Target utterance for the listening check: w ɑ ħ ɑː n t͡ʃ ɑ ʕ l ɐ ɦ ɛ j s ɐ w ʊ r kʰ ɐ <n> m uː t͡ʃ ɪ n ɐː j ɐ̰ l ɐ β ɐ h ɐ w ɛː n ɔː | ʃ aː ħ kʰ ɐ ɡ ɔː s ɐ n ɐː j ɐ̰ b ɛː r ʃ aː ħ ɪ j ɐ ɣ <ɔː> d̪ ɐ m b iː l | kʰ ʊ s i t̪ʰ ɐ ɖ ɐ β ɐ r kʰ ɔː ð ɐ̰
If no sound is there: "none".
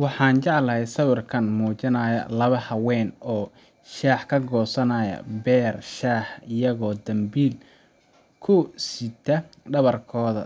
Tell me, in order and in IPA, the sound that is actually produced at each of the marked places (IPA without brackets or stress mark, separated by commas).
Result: n, ɔː